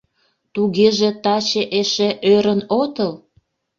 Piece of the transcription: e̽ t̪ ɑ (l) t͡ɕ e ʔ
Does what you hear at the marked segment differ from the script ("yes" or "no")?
yes